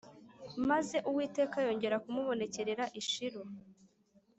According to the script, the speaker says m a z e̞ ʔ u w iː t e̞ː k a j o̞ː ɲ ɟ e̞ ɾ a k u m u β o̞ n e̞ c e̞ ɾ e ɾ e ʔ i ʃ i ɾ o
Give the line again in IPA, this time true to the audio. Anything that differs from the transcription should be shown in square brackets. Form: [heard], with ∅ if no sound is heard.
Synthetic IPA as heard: m a z e̞ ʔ u w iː t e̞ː k a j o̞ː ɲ ɟ e̞ ɾ a k u m u β o̞ n e̞ c e̞ ɾ e ɾ [a] ʔ i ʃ i ɾ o